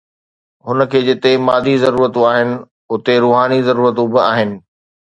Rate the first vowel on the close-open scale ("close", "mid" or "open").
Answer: close